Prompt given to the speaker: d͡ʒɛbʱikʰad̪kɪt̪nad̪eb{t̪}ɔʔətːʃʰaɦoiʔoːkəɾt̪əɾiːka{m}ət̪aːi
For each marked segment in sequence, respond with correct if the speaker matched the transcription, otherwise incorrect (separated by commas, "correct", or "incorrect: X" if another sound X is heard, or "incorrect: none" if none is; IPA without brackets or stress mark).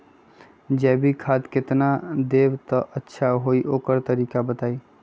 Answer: correct, incorrect: b